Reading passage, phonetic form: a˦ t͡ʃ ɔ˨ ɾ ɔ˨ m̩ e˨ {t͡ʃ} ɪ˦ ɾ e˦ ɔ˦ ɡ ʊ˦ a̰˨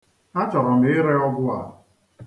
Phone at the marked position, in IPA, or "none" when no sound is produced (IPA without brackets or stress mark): none